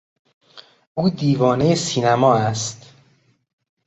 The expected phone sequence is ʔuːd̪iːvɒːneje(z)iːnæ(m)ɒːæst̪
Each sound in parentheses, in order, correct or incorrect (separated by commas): incorrect, correct